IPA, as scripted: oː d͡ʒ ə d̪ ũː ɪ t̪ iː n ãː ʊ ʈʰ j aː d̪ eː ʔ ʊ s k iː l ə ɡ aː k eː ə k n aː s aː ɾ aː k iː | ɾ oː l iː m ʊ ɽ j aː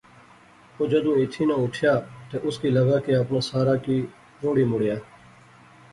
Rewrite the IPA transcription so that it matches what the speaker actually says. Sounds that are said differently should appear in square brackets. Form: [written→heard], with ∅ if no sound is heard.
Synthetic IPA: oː d͡ʒ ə d̪ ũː ɪ [t̪→t̪ʰ] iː n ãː ʊ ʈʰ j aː [d̪→t̪] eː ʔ ʊ s k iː l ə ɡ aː k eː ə [k→p] n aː s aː ɾ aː k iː | ɾ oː [l→ɽ] iː m ʊ ɽ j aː